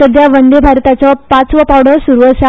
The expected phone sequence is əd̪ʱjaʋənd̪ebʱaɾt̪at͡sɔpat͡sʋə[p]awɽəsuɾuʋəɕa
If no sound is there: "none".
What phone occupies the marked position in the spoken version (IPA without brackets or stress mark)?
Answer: p